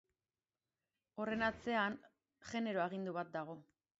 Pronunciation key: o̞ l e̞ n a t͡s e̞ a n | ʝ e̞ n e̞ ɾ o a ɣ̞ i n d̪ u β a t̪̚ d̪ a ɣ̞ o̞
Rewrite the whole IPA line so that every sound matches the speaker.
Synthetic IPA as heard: o̞ r e̞ n a t͡s e̞ a n | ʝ e̞ n e̞ ɾ o a ɣ̞ i n d̪ u β a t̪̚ d̪ a ɣ̞ o̞